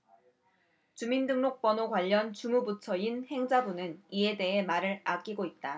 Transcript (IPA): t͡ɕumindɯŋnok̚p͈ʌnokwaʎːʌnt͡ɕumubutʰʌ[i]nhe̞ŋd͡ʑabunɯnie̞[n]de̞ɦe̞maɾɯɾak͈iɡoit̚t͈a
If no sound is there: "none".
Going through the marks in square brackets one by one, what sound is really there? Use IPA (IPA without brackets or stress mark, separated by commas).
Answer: i, none